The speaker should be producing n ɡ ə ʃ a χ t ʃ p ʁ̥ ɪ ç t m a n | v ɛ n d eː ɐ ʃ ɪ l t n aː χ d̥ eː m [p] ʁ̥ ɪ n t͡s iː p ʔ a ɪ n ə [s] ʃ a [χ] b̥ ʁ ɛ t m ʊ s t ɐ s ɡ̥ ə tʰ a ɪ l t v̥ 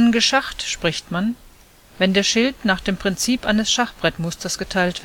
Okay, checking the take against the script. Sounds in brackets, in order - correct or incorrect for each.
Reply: correct, correct, correct

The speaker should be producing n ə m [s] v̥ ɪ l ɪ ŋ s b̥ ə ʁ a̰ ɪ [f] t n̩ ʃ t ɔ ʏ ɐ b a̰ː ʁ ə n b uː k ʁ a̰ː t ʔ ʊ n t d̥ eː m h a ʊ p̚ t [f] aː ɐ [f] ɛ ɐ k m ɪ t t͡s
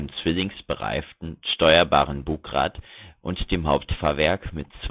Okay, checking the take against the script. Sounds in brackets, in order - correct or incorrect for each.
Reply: incorrect: t͡s, correct, correct, incorrect: v

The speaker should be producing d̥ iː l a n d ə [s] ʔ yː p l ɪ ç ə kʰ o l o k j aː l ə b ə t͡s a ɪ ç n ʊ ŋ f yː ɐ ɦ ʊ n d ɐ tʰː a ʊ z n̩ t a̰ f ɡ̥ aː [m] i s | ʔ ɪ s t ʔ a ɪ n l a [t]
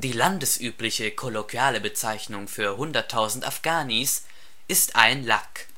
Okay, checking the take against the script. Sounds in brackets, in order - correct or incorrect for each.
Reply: correct, incorrect: n, incorrect: k

